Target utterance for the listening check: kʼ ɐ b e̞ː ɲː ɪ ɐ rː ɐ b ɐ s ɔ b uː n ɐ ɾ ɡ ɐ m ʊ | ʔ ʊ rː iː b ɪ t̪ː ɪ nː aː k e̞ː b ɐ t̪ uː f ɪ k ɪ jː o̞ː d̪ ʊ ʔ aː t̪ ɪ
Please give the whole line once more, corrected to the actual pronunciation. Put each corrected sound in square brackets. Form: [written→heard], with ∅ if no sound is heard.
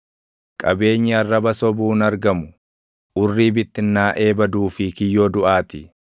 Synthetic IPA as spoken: kʼ ɐ b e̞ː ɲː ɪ ɐ rː ɐ b ɐ s ɔ b uː n ɐ ɾ ɡ ɐ m ʊ | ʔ ʊ rː iː b ɪ t̪ː ɪ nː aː [k→ʔ] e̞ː b ɐ [t̪→d̪] uː f ɪ k ɪ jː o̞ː d̪ ʊ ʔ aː t̪ ɪ